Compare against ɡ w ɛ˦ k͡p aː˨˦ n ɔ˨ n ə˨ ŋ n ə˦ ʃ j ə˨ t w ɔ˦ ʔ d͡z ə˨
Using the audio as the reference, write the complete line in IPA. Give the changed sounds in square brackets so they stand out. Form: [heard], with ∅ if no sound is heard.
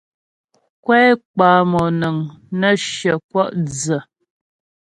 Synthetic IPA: [k] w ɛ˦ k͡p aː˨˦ [m] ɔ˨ n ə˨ ŋ n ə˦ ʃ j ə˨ [k] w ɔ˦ ʔ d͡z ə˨